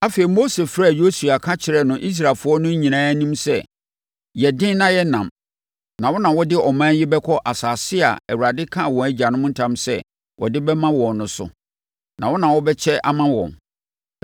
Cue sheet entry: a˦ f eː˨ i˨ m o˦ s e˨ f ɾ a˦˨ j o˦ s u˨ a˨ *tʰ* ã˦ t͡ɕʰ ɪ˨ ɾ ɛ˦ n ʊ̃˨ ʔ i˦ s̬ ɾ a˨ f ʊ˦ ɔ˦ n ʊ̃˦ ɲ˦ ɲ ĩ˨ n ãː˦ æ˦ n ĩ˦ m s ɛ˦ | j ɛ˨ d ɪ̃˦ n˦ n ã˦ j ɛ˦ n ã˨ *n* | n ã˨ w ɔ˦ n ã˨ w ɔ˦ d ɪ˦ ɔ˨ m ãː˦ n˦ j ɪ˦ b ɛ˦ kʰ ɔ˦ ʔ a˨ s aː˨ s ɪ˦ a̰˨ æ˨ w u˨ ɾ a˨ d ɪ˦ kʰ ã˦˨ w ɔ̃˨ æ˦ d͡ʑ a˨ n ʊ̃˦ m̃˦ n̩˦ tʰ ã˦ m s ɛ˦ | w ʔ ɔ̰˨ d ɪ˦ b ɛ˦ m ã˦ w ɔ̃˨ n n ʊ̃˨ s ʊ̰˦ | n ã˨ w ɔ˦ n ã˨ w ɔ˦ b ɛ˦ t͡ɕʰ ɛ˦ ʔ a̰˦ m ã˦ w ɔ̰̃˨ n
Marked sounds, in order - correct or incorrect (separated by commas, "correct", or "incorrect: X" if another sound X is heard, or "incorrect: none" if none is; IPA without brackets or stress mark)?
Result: incorrect: kʰ, incorrect: m